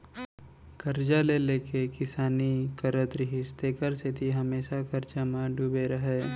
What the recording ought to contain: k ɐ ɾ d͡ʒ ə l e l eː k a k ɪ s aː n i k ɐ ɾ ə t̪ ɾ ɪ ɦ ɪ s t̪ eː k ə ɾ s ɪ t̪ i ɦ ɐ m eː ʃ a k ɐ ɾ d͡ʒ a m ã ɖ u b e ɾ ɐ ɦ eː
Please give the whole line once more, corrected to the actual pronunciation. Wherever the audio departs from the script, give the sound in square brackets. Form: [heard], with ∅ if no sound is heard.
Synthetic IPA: k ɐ ɾ d͡ʒ [a] l e l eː k [e] k ɪ s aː n i k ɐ ɾ ə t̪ ɾ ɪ ɦ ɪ s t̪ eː k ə ɾ s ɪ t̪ i ɦ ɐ m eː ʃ a k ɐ ɾ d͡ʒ a m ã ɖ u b e ɾ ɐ ɦ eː